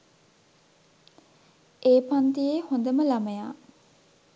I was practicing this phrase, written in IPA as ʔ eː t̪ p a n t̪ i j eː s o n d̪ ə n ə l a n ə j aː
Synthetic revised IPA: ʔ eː p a n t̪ i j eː h o n d̪ ə m ə l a m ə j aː